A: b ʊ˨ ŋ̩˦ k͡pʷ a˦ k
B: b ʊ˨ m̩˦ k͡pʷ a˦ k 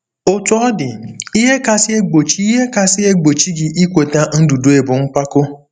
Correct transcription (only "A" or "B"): A